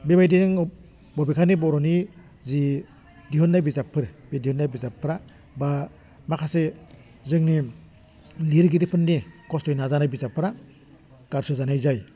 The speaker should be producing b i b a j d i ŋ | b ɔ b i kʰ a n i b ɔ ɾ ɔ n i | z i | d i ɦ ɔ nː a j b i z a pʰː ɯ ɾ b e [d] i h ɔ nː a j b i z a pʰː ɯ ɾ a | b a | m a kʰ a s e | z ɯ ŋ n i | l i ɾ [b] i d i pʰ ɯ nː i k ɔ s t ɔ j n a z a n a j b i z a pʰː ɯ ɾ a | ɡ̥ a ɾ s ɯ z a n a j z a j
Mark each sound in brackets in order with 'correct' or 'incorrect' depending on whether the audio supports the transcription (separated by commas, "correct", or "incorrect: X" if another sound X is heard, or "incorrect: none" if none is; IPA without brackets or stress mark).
correct, incorrect: ɡ